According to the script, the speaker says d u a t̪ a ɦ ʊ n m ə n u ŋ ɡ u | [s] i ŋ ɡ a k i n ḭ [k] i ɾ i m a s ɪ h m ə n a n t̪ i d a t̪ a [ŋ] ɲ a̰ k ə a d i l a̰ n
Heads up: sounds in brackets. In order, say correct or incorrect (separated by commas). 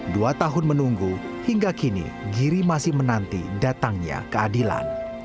incorrect, incorrect, correct